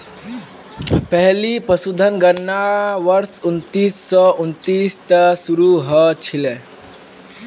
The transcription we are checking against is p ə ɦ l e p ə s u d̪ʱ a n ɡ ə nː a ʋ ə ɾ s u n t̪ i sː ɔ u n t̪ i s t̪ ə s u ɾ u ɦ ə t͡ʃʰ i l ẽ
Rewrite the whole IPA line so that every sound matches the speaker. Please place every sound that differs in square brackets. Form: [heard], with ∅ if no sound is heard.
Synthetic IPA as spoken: p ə ɦ l [i] p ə s u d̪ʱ [ə] n ɡ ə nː a ʋ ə ɾ s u n t̪ i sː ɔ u n t̪ i s t̪ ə s u ɾ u ɦ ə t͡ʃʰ i l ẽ

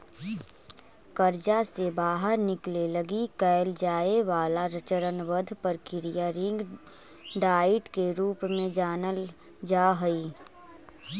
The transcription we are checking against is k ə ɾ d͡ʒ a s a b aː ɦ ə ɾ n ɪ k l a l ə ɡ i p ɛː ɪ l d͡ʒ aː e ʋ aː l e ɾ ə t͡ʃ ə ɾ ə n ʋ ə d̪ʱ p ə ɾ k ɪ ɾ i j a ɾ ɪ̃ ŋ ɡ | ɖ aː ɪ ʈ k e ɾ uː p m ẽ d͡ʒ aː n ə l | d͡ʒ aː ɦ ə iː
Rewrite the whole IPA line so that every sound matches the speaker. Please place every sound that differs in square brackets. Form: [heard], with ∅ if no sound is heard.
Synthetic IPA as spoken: k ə ɾ d͡ʒ a s [e] b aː ɦ ə ɾ n ɪ k l [e] l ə ɡ i [k] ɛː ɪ l d͡ʒ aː e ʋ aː l [a] ɾ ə t͡ʃ ə ɾ ə n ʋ ə d̪ʱ p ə ɾ k ɪ ɾ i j a ɾ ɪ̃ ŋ ɡ | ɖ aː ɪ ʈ k e ɾ uː p m ẽ d͡ʒ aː n ə l | d͡ʒ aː ɦ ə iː

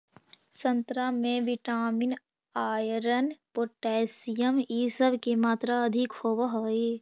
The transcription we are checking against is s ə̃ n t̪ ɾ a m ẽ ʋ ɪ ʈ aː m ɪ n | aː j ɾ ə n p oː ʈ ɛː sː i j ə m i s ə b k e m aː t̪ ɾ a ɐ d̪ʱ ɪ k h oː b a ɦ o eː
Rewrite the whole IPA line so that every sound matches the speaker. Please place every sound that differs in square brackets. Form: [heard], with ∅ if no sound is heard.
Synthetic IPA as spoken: s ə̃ n t̪ ɾ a m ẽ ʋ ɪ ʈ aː m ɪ n | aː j ɾ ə n p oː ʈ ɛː [s] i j ə m i s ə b k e m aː t̪ ɾ a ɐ d̪ʱ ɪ k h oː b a ɦ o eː

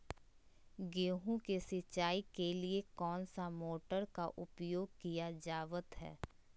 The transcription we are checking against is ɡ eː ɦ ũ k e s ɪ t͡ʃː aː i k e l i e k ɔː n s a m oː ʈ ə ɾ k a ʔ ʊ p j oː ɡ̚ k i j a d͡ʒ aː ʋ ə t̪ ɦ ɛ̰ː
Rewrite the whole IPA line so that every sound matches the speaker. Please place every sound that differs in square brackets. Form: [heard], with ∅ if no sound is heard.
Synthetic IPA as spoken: ɡ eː ɦ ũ k e s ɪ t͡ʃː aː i k e l i e k ɔː n s a m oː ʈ ə ɾ k a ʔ ʊ p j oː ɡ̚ k i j a d͡ʒ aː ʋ ə t̪ ɦ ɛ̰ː

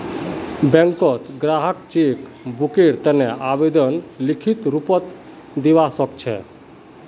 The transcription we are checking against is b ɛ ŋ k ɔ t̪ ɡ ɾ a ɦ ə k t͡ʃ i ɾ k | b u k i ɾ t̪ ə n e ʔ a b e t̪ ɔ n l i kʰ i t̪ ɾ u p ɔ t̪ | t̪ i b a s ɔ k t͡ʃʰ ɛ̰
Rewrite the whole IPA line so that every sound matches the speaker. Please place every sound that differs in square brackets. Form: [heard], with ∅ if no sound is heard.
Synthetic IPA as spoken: b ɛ ŋ k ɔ t̪ ɡ ɾ a ɦ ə k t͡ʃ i [∅] k | b u k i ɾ t̪ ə n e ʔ a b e [d̪] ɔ n l i kʰ i t̪ ɾ u p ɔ t̪ | [d̪] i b a s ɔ k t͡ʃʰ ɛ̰

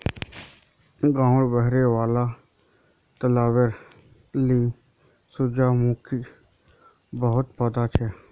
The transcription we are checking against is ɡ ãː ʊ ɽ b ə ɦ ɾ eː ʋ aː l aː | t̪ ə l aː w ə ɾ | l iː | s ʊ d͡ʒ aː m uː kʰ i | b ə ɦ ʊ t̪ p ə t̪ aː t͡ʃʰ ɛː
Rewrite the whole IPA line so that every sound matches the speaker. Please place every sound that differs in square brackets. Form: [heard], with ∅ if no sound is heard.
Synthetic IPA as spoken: ɡ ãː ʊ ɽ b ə ɦ ɾ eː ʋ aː l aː | t̪ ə l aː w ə ɾ | l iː | s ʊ d͡ʒ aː m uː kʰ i | b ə ɦ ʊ t̪ p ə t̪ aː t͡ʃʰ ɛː

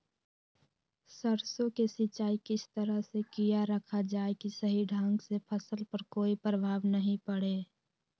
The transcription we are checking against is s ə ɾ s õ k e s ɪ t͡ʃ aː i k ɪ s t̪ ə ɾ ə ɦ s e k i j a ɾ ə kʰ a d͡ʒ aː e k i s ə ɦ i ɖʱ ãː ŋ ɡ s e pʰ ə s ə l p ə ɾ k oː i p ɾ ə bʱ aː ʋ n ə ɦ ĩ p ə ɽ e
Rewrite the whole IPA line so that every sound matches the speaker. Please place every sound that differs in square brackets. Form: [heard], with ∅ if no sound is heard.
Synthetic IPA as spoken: s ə ɾ s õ k e s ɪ t͡ʃ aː i k ɪ s t̪ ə ɾ ə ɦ s e k i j a ɾ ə kʰ a d͡ʒ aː e k i s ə ɦ i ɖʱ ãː ŋ ɡ s e pʰ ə s ə l p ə ɾ k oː i p ɾ ə bʱ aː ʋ n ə ɦ ĩ p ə ɽ e

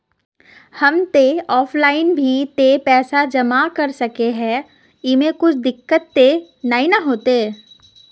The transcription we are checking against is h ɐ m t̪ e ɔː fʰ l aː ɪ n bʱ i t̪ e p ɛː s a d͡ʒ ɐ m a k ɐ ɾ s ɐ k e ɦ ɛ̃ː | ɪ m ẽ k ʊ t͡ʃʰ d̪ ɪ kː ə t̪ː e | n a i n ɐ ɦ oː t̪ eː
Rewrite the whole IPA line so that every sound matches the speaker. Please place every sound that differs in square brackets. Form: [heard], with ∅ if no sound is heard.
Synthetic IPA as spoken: h ɐ m t̪ e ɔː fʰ l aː ɪ n bʱ i t̪ e p ɛː s a d͡ʒ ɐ m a k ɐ ɾ s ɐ k e ɦ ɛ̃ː | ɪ m ẽ k ʊ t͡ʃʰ d̪ ɪ kː ə t̪ː e | n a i n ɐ ɦ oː t̪ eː

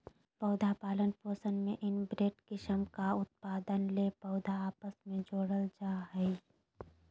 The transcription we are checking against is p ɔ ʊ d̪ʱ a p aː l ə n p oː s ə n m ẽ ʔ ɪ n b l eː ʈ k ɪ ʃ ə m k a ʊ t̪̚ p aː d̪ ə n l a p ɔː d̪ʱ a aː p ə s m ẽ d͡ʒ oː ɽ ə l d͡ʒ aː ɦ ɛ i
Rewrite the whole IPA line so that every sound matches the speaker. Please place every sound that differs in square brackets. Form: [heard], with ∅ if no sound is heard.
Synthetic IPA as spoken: p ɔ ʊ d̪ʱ a p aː l ə n p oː s ə n m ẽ ʔ ɪ n b [ɾ] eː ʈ k ɪ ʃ ə m k a ʊ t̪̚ p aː d̪ ə n l [e] p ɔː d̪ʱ a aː p ə s m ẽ d͡ʒ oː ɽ ə l d͡ʒ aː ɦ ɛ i

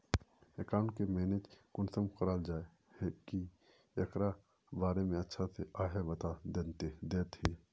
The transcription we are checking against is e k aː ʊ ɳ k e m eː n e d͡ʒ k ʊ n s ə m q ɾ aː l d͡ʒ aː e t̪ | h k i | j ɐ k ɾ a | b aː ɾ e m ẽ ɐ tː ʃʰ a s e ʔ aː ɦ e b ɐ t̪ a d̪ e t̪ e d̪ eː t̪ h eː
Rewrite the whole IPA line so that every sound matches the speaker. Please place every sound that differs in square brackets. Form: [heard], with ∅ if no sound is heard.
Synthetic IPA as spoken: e k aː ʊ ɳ k e m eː n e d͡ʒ k ʊ n s ə m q ɾ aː l d͡ʒ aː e [∅] | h k i | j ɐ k ɾ a | b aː ɾ e m ẽ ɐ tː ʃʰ a s e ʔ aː ɦ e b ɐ t̪ a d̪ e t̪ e d̪ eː t̪ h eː

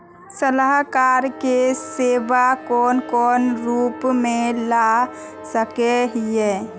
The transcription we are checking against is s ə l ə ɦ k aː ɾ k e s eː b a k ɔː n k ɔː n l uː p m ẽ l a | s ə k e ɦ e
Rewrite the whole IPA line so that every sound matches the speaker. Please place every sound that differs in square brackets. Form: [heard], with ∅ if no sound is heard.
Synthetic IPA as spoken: s ə l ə ɦ k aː ɾ k e s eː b a k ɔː n k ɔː n [ɾ] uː p m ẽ l a | s ə k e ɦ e

